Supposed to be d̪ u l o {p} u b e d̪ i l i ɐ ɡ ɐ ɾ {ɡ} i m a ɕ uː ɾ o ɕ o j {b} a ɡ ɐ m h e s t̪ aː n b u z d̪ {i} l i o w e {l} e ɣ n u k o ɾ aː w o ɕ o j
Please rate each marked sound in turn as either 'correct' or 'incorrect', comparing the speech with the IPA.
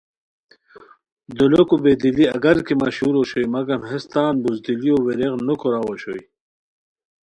incorrect: k, incorrect: k, incorrect: m, correct, incorrect: ɾ

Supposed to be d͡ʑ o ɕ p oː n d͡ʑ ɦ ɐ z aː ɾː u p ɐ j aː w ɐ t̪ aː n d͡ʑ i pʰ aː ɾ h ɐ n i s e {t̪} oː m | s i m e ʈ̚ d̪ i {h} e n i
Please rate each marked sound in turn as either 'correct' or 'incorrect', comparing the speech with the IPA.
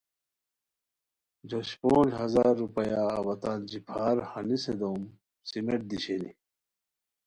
incorrect: d̪, incorrect: ɕ

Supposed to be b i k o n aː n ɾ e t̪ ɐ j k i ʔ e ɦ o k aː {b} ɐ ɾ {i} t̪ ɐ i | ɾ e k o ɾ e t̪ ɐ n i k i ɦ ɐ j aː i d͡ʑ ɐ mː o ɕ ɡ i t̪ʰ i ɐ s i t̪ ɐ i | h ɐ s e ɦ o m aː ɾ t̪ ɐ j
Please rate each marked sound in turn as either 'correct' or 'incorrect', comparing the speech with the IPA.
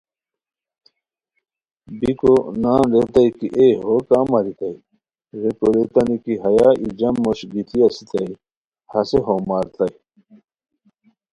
incorrect: m, correct

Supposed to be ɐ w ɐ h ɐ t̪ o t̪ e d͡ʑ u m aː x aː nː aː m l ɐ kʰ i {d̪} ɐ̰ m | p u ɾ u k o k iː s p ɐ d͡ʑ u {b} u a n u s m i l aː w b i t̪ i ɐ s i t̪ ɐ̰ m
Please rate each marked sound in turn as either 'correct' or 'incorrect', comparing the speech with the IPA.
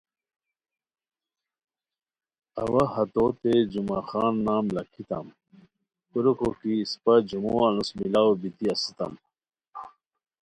incorrect: t̪, incorrect: m

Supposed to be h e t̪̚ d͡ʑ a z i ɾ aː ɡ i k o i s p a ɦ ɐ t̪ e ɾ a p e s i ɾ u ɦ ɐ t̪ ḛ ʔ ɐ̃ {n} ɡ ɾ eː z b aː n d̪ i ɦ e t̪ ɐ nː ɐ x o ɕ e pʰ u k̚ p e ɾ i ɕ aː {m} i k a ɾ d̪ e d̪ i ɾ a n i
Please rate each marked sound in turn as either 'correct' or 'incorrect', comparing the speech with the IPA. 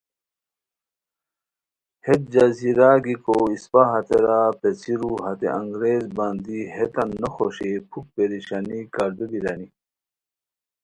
incorrect: ŋ, incorrect: n

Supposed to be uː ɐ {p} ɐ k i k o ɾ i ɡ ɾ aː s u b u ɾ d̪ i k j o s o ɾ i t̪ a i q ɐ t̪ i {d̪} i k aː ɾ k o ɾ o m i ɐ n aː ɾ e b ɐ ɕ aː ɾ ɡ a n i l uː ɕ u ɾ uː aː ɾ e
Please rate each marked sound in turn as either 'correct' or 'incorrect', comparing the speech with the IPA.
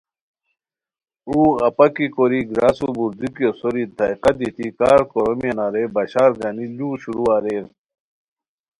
correct, incorrect: t̪

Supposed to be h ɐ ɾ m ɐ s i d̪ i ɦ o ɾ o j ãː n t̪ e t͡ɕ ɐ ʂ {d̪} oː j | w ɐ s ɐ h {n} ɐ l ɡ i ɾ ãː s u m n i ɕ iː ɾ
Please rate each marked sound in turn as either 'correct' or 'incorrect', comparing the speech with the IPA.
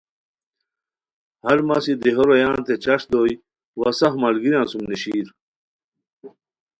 correct, incorrect: m

